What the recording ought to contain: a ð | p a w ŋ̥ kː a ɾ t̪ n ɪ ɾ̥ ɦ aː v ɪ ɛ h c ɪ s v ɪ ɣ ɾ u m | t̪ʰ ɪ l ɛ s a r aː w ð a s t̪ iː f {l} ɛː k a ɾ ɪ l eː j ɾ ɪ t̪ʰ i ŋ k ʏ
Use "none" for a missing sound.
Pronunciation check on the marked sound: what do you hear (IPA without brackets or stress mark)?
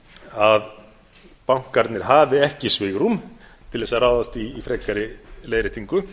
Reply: ɾ